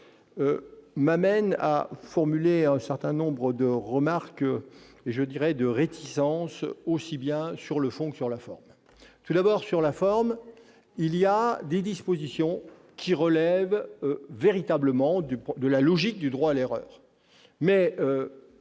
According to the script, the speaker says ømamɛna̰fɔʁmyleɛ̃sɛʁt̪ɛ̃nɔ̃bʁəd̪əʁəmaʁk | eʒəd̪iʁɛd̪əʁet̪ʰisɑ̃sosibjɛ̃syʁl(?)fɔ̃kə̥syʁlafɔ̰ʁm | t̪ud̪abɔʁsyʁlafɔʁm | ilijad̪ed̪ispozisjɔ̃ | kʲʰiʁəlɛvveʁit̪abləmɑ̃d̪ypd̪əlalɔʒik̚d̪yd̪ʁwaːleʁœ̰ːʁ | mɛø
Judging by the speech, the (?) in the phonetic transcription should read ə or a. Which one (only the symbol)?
ə